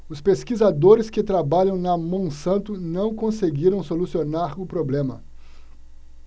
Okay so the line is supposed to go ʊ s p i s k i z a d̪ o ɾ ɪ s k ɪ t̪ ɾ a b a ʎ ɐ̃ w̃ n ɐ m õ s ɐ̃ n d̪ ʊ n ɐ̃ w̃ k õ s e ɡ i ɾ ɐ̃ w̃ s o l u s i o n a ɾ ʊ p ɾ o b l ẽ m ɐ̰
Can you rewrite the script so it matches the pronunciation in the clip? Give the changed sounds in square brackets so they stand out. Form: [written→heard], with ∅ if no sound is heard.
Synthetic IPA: ʊ s p [i→e] s k i z a d̪ o ɾ ɪ s k ɪ t̪ ɾ a b a ʎ ɐ̃ w̃ n ɐ m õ s ɐ̃ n [d̪→t̪] ʊ n ɐ̃ w̃ k õ s e ɡ i ɾ ɐ̃ w̃ s o l u s i o n a ɾ ʊ p ɾ o b l ẽ m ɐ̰